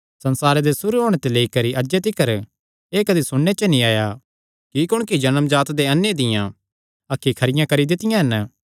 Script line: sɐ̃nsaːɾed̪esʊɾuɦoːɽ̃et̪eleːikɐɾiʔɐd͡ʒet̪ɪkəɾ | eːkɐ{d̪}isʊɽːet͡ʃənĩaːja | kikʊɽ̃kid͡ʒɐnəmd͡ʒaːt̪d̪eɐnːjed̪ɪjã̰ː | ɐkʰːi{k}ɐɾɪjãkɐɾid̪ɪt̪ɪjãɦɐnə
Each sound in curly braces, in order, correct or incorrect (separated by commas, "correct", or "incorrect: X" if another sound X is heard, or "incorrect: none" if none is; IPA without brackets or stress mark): correct, incorrect: kʰ